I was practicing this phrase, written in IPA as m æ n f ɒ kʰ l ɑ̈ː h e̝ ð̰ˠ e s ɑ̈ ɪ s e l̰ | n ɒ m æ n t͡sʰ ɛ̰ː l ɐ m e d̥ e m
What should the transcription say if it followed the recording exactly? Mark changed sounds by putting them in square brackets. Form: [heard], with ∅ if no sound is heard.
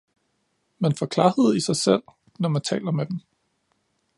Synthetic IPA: m æ n f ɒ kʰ l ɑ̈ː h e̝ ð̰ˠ [i] s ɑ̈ ɪ s e l̰ | n ɒ m æ n t͡sʰ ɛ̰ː l ɐ m e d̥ e m